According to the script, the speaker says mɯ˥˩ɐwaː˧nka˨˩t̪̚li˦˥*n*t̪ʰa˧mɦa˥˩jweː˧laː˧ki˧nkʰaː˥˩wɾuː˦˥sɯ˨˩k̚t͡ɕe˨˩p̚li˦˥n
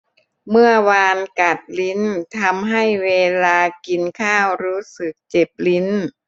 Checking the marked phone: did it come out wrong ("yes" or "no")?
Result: no